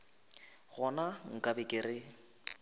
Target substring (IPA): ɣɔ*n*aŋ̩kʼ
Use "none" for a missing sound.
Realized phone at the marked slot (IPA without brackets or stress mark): n